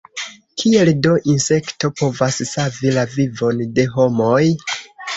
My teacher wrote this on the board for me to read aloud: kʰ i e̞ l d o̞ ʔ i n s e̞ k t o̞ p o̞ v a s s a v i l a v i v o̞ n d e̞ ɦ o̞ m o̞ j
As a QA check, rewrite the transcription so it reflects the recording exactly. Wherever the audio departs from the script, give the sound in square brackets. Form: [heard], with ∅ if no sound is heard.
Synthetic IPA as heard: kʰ i e̞ l d o̞ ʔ i n s e̞ k t o̞ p o̞ v a s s a v i l a v i v o̞ n d e̞ ɦ o̞ m o̞ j